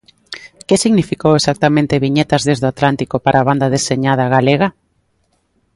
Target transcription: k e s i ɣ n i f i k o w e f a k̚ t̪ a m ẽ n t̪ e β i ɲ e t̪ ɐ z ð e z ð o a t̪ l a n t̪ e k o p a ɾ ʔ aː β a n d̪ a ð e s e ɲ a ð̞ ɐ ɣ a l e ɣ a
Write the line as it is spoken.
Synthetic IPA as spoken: k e s i ɣ n i f i k o w e s a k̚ t̪ a m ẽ n t̪ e β i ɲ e t̪ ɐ z ð e z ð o a t̪ l a n t̪ i k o p a ɾ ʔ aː β a n d̪ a ð e s e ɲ a ð̞ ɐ ɣ a l e ɣ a